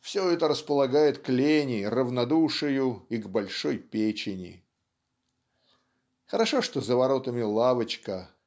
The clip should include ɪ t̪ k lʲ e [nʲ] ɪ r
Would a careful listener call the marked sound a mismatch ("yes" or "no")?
no